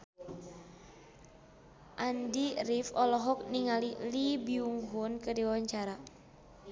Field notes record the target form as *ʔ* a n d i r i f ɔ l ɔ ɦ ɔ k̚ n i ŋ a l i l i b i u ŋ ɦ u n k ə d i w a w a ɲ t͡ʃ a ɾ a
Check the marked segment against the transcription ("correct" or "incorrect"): correct